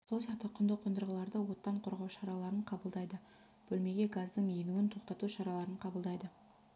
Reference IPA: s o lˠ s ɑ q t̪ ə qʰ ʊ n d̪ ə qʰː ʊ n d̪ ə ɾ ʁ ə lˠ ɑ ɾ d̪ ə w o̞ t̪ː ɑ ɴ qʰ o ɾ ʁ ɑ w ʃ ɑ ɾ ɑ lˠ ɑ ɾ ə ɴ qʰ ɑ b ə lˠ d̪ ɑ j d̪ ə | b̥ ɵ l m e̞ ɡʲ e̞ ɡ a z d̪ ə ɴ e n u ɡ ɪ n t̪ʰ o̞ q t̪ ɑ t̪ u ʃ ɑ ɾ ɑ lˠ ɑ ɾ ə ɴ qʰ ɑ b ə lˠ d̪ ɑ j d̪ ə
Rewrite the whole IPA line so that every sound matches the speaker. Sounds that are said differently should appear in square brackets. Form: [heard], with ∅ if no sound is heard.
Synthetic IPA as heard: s o lˠ s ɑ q t̪ ə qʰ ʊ n d̪ ə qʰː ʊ n d̪ ə ɾ ʁ ə lˠ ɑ ɾ d̪ ə w o̞ t̪ː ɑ ɴ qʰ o ɾ ʁ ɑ w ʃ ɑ ɾ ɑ lˠ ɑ ɾ ə ɴ qʰ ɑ b ə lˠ d̪ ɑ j d̪ ə | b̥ ɵ l m e̞ ɡʲ e̞ ɡ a z d̪ ə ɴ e n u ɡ ɪ n t̪ʰ o̞ q t̪ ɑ t̪ u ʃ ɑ ɾ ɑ lˠ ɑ ɾ ə ɴ qʰ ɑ b ə lˠ d̪ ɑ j d̪ ə

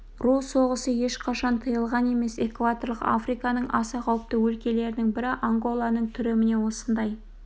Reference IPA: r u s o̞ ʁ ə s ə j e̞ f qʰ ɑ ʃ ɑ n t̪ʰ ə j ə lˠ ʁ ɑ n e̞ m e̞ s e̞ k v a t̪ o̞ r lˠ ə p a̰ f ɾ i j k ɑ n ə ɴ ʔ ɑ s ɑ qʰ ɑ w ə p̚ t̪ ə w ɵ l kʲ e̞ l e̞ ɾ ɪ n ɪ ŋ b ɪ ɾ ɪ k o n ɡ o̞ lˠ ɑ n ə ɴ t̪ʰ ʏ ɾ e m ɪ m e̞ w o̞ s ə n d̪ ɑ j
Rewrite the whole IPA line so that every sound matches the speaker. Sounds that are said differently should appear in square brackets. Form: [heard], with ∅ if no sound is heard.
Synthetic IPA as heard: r u s o̞ ʁ ə s ə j e̞ [ʃ] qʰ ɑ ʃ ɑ n t̪ʰ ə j ə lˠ ʁ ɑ n e̞ m e̞ s e̞ k v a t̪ o̞ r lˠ ə [q] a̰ f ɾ i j k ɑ n ə ɴ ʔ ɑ s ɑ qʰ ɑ w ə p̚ t̪ ə w ɵ l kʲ e̞ l e̞ ɾ ɪ n ɪ ŋ b ɪ ɾ ɪ [ʔ] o [ŋ] ɡ o̞ lˠ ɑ n ə ɴ t̪ʰ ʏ ɾ e m ɪ [n] e̞ w o̞ s ə n d̪ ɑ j

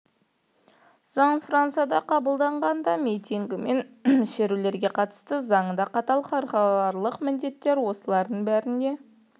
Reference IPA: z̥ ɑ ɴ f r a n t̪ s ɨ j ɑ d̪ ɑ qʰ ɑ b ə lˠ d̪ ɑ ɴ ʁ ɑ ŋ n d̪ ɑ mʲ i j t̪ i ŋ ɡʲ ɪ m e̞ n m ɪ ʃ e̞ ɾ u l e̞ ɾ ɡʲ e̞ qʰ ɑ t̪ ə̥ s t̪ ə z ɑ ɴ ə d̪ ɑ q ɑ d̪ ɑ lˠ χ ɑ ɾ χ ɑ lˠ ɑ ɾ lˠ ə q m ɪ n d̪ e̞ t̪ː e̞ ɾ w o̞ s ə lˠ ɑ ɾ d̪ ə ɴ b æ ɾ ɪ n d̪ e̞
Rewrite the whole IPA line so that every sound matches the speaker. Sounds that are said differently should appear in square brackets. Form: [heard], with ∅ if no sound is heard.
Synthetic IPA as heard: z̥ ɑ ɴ f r a n t̪ s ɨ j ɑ d̪ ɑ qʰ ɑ b ə lˠ d̪ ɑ ɴ ʁ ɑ [∅] n d̪ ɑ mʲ i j t̪ i ŋ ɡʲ ɪ m e̞ n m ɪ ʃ e̞ ɾ u l e̞ ɾ ɡʲ e̞ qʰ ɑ t̪ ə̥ s t̪ ə z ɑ ɴ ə d̪ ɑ q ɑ [t̪] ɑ lˠ χ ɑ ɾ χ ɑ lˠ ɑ ɾ lˠ ə q m ɪ n d̪ e̞ t̪ː e̞ ɾ w o̞ s ə lˠ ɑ ɾ d̪ ə ɴ b æ ɾ ɪ n d̪ e̞

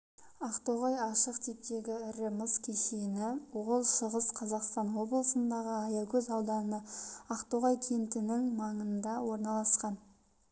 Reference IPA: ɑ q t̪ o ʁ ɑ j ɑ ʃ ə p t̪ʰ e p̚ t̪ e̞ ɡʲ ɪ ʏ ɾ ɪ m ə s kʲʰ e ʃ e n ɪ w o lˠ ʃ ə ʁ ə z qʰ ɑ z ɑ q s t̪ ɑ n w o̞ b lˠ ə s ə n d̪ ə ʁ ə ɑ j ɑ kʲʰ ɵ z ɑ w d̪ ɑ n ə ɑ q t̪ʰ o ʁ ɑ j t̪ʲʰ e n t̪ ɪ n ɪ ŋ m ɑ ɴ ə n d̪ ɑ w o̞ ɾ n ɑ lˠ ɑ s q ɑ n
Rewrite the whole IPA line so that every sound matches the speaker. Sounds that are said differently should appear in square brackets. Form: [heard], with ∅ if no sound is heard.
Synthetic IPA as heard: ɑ q t̪ o ʁ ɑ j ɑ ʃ ə [q] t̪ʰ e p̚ t̪ e̞ ɡʲ ɪ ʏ ɾ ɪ m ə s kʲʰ e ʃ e n ɪ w o lˠ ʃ ə ʁ ə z qʰ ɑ z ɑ q s t̪ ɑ n w o̞ b lˠ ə s ə n d̪ [ɑ] ʁ ə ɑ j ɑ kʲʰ ɵ z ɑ w d̪ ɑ n ə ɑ q [t̪] o ʁ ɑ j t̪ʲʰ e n t̪ ɪ n ɪ ŋ m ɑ ɴ ə n d̪ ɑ w o̞ ɾ n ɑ lˠ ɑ s q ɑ n

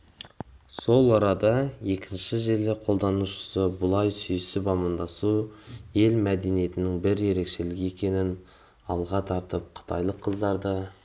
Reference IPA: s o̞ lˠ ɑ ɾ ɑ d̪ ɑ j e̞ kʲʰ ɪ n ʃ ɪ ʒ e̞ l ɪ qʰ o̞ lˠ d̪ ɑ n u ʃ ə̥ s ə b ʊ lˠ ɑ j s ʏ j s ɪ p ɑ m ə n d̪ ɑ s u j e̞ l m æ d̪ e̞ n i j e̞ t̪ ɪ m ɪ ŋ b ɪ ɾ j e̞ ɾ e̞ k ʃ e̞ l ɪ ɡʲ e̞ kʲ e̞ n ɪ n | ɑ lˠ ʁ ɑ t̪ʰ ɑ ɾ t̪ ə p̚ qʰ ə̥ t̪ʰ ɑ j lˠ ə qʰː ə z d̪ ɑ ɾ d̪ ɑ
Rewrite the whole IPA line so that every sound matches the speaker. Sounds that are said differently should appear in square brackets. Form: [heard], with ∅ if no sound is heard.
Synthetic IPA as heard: s o̞ lˠ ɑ ɾ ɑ d̪ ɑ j e̞ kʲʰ ɪ n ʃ ɪ ʒ e̞ l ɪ qʰ o̞ lˠ d̪ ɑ n u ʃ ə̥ s ə b ʊ lˠ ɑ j s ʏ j s ɪ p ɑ m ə n d̪ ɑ s u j e̞ l m æ d̪ e̞ n i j e̞ t̪ ɪ [n] ɪ ŋ b ɪ ɾ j e̞ ɾ e̞ k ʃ e̞ l ɪ ɡʲ e̞ kʲ e̞ n ɪ n | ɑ lˠ ʁ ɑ t̪ʰ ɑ ɾ t̪ ə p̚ qʰ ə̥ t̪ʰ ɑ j lˠ ə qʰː ə z d̪ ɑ ɾ d̪ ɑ

